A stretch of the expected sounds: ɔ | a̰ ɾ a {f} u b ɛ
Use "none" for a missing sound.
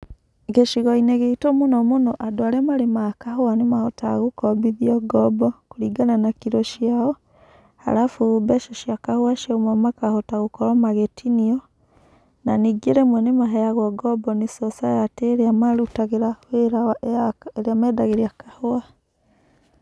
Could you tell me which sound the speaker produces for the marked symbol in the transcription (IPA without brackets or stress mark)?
f